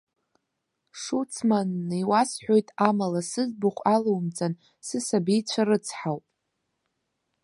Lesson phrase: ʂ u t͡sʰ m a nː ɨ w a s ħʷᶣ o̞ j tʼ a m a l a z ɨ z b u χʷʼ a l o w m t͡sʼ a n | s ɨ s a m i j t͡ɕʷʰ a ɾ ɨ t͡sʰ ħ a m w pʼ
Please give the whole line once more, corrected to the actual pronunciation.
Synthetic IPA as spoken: ʂ u t͡sʰ m a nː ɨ w a s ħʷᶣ o̞ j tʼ a m a l a s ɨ z b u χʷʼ a l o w m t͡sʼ a n | s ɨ s a b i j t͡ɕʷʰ a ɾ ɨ t͡sʰ ħ a w pʼ